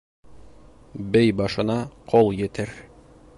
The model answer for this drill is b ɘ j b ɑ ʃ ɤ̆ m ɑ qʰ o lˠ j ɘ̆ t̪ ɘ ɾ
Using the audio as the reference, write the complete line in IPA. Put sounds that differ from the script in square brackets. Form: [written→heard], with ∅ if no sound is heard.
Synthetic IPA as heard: b ɘ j b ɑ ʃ ɤ̆ [m→n] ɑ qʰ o lˠ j ɘ̆ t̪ ɘ ɾ

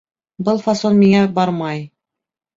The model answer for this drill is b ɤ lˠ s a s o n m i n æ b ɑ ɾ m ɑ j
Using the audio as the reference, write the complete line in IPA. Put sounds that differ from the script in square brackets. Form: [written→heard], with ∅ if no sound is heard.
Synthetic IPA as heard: b ɤ lˠ [s→f] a s o n m i [n→ŋ] æ b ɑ ɾ m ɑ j

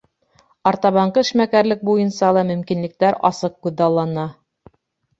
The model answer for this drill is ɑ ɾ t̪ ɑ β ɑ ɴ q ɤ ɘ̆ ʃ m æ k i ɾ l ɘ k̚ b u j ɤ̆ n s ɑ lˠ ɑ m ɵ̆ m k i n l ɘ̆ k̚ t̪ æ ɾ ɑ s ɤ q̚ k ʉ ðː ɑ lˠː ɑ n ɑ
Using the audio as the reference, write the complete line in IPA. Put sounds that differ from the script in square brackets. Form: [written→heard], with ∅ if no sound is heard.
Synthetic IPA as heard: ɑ ɾ t̪ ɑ β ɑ ɴ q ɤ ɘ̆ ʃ m æ k [i→æ] ɾ l ɘ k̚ b u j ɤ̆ n s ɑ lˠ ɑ m ɵ̆ m k i n l ɘ̆ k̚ t̪ æ ɾ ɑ s ɤ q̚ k ʉ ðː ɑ lˠː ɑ n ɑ

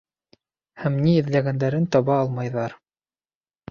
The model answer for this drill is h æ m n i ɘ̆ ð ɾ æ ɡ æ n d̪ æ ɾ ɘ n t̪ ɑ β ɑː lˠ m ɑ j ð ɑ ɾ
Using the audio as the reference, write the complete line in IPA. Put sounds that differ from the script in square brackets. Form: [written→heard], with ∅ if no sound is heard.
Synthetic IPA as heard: h æ m n i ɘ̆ ð [ɾ→l] æ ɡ æ n d̪ æ ɾ ɘ n t̪ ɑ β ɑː lˠ m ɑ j ð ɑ ɾ

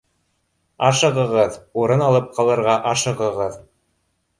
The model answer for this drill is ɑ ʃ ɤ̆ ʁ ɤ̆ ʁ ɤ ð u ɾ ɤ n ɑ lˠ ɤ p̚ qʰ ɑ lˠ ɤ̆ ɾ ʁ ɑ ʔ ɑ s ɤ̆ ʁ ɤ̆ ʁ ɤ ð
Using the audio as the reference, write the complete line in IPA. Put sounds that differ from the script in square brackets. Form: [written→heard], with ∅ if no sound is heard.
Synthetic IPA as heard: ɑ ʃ ɤ̆ ʁ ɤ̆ ʁ ɤ ð u ɾ ɤ n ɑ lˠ ɤ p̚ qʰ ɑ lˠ ɤ̆ ɾ ʁ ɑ ʔ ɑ [s→ʃ] ɤ̆ ʁ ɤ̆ ʁ ɤ ð

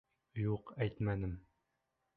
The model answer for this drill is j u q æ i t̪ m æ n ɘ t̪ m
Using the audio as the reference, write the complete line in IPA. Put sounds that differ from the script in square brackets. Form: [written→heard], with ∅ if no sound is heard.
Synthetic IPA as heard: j u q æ [i→j] t̪ m æ n ɘ [t̪→∅] m

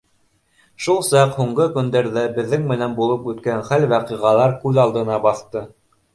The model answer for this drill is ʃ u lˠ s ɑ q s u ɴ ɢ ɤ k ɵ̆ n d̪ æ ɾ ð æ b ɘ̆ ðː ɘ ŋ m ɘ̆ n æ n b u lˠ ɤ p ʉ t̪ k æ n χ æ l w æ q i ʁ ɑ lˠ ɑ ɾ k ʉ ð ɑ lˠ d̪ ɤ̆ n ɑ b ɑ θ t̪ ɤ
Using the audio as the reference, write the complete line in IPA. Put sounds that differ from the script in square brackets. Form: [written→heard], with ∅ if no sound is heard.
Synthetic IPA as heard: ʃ u lˠ s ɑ q [s→h] u ɴ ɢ ɤ k ɵ̆ n d̪ æ ɾ ð æ b ɘ̆ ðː ɘ ŋ m ɘ̆ n æ n b u lˠ ɤ p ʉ t̪ k æ n χ æ l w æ q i ʁ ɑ lˠ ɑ ɾ k ʉ ð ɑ lˠ d̪ ɤ̆ n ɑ b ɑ θ t̪ ɤ

